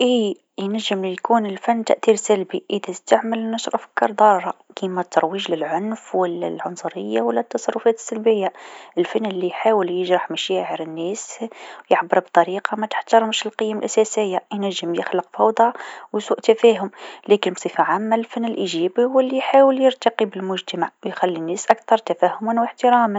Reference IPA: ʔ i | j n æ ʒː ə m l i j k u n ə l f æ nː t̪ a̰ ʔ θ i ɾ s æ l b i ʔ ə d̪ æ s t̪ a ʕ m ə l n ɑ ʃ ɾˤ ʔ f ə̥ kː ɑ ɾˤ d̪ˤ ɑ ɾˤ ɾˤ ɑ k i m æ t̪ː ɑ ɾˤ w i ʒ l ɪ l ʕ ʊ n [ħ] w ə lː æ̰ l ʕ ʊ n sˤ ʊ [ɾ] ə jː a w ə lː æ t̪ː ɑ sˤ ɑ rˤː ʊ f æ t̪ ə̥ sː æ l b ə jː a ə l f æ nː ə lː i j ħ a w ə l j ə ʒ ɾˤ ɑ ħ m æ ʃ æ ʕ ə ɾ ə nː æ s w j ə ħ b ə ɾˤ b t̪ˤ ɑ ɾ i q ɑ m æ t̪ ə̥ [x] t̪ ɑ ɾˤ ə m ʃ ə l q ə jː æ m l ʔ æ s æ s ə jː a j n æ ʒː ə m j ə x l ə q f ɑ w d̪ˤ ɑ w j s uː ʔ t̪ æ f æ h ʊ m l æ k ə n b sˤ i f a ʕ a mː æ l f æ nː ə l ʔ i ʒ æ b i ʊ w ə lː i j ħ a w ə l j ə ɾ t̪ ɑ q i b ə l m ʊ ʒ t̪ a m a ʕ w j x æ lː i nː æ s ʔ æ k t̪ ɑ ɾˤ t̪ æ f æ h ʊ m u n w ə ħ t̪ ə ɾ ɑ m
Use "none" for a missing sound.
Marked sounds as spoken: f, ɾ, ħ

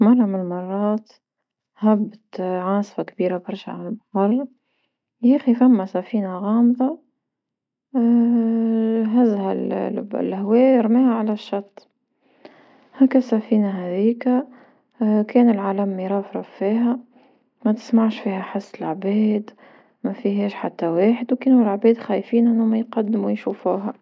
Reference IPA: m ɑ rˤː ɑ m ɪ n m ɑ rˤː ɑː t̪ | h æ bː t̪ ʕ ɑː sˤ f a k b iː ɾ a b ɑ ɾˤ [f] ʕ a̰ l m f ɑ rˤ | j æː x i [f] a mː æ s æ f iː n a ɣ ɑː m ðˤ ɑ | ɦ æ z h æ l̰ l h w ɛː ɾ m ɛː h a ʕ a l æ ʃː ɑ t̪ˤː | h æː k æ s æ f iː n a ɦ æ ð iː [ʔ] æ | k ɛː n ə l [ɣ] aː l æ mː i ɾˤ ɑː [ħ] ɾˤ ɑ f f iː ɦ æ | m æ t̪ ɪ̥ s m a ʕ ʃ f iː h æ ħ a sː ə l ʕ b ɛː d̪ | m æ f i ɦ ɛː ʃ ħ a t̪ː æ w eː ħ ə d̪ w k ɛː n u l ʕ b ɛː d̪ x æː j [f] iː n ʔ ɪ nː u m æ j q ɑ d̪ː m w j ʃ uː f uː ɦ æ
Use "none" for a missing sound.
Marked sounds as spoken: ʃ, f, k, ʕ, f, f

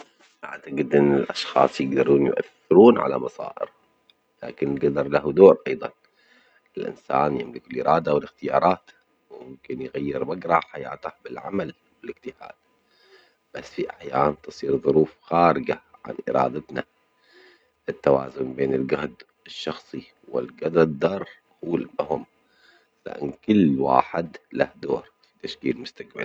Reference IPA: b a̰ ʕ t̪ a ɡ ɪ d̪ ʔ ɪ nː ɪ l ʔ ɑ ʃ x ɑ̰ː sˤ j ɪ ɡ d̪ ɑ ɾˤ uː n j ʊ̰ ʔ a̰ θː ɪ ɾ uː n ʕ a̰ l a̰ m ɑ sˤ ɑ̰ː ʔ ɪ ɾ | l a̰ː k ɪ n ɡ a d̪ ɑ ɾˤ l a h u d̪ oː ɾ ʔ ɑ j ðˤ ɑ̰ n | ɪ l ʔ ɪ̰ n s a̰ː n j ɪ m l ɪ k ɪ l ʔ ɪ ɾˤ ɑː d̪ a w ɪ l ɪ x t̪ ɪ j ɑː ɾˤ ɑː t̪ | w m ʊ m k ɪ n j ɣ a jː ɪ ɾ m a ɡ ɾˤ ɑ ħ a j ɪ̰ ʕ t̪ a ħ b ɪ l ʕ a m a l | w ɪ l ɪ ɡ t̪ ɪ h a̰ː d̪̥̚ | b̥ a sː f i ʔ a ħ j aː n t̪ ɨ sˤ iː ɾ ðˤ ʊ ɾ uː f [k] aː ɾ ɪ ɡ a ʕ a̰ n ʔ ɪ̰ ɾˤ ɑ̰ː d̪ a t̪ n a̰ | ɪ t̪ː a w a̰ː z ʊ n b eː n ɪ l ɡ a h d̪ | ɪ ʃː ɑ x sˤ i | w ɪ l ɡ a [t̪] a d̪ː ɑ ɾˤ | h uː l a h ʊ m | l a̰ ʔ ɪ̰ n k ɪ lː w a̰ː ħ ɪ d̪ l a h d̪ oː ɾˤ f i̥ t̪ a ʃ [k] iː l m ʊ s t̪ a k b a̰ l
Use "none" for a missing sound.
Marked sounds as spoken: x, d̪, k

